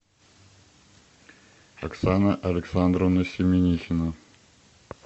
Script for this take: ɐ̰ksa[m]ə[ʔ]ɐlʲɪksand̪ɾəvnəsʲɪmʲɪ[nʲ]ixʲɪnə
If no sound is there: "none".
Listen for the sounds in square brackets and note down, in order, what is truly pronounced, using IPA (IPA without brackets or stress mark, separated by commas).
n, ʔ, nʲ